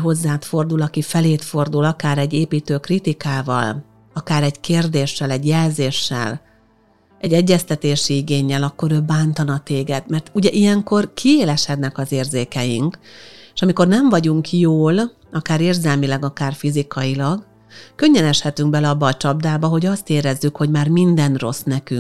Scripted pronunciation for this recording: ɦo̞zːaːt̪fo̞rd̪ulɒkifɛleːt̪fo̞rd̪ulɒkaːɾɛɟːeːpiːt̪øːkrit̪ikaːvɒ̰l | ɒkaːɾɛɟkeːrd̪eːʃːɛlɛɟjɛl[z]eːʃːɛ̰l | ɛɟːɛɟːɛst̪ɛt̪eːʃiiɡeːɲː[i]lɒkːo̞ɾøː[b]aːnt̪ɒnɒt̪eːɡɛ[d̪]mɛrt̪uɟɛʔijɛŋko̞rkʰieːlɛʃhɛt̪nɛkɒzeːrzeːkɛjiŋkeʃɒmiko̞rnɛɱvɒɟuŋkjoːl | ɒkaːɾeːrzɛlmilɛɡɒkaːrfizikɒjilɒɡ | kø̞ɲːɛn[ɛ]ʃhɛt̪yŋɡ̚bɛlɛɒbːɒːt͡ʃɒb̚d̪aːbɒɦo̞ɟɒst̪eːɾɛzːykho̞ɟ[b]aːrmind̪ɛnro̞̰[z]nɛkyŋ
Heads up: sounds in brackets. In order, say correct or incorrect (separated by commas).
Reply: correct, incorrect, correct, correct, correct, incorrect, incorrect